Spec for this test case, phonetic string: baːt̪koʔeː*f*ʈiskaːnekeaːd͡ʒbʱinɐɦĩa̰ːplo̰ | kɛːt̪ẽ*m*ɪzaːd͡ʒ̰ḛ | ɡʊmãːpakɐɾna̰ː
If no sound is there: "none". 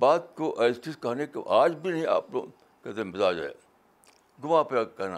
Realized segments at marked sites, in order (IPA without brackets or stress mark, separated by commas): s, m